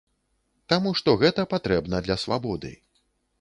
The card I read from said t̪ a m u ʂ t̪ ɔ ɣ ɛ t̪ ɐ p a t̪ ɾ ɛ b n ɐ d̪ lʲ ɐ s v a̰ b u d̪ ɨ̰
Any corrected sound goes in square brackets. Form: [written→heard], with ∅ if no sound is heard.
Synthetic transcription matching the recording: t̪ a m u ʂ t̪ ɔ ɣ ɛ t̪ ɐ p a t̪ ɾ ɛ b n ɐ d̪ lʲ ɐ s v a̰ b [u→ɔ] d̪ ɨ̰